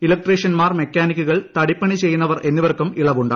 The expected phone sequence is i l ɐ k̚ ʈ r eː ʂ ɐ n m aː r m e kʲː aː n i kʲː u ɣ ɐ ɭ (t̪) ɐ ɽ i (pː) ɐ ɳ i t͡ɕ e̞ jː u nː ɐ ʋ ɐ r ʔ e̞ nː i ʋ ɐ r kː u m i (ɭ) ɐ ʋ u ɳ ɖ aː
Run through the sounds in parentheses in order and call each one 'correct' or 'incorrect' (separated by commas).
correct, correct, correct